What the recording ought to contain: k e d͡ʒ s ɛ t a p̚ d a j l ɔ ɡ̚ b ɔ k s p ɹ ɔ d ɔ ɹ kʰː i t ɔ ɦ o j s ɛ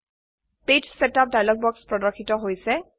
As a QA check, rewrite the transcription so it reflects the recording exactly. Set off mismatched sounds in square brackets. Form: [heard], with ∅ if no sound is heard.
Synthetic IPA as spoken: [p] e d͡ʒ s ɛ t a p̚ d a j l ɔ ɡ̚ b ɔ k s p ɹ ɔ d ɔ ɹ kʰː i t ɔ ɦ o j s ɛ